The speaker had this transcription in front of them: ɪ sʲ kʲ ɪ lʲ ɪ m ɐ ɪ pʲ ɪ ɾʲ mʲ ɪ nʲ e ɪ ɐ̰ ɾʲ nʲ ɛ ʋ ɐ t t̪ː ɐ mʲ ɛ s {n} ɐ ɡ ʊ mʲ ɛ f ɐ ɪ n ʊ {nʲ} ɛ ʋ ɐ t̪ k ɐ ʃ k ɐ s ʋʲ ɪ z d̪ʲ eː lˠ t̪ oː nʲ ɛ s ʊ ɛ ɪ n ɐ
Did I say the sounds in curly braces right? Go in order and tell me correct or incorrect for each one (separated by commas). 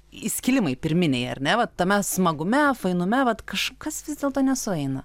incorrect, incorrect